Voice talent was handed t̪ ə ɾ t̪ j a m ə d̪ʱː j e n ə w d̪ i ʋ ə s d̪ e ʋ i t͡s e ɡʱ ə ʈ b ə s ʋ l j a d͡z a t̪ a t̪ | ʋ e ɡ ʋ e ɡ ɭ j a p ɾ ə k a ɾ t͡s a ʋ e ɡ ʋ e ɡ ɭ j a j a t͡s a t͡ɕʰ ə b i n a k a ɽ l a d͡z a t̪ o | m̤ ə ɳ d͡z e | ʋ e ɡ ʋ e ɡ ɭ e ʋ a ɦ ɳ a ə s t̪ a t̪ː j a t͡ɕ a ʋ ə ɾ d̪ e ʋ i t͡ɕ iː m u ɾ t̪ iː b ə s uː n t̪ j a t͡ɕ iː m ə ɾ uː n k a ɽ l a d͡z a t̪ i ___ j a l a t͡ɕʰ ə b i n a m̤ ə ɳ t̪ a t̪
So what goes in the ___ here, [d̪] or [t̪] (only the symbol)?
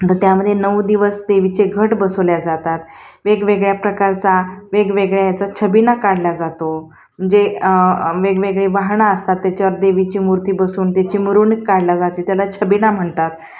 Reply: t̪